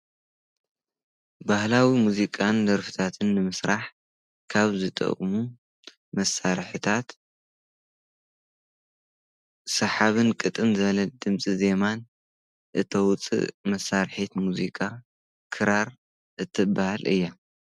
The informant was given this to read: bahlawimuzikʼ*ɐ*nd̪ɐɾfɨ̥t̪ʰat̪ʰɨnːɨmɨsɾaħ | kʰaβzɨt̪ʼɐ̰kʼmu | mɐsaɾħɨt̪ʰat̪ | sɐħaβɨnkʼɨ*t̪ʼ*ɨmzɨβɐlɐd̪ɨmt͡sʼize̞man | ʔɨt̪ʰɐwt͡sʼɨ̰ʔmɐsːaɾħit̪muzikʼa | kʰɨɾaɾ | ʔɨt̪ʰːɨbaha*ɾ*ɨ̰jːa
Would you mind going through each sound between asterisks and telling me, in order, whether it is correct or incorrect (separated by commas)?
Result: incorrect, correct, incorrect